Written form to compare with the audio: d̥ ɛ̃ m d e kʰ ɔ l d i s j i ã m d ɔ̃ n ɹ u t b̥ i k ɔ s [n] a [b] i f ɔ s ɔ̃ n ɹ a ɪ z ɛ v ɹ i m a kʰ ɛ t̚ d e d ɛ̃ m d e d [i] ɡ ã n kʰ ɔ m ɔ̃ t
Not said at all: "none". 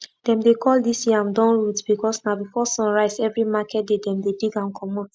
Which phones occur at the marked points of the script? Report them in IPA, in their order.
n, b, i

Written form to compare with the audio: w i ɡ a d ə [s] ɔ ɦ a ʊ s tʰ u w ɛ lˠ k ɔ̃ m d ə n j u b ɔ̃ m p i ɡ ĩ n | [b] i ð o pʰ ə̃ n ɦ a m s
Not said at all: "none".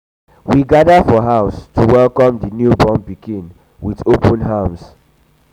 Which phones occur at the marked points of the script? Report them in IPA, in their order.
f, w

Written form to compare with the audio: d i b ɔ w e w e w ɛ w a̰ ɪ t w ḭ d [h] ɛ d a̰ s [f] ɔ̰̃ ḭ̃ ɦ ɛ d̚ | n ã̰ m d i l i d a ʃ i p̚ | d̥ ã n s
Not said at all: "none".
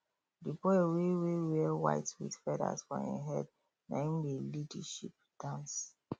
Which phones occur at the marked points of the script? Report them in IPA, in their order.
f, f

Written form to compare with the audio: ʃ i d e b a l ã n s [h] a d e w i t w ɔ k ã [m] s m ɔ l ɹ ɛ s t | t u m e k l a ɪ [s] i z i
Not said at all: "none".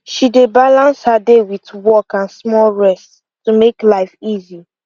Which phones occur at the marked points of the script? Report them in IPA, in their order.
h, n, f

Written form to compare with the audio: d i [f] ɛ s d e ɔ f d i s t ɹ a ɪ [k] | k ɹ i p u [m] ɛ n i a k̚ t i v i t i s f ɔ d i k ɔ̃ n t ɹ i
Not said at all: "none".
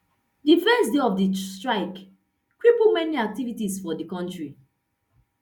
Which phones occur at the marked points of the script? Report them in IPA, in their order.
f, k, m

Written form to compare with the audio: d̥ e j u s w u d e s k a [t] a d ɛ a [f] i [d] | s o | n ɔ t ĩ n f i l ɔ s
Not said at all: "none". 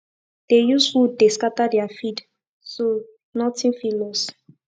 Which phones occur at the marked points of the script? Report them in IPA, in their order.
t, f, d

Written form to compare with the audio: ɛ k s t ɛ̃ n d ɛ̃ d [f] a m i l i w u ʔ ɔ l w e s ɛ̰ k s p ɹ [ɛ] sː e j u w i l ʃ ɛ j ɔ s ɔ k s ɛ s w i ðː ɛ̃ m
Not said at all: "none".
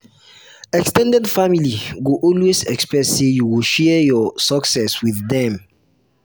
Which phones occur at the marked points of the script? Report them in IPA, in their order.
f, ɛ

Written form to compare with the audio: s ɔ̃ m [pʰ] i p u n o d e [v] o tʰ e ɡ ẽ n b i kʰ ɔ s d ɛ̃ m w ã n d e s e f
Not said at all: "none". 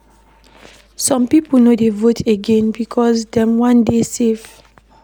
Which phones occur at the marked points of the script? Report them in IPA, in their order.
p, v

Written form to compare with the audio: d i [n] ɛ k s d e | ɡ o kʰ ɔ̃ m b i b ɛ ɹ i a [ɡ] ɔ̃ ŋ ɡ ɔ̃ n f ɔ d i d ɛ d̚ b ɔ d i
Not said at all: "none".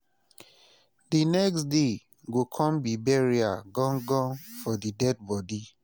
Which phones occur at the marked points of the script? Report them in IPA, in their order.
n, ɡ

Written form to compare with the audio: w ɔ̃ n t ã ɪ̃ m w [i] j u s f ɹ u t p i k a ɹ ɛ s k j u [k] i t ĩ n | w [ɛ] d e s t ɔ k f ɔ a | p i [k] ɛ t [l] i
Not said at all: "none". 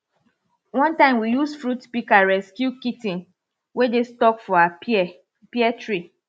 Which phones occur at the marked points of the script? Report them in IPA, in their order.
i, k, e, none, ɹ

